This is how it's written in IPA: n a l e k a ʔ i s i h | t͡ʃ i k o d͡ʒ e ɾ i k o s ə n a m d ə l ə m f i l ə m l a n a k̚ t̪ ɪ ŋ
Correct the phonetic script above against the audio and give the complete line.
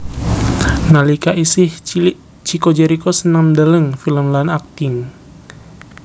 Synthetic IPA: n a l i k a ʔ i s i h | t͡ʃ i k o d͡ʒ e ɾ i k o s ə n a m d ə l ə ŋ f i l ə m l a n a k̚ t̪ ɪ ŋ